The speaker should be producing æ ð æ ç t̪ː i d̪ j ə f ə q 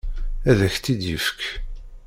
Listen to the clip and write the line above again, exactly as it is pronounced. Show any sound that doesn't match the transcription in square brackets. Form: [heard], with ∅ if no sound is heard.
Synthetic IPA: æ ð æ ç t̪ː i d̪ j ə f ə [k]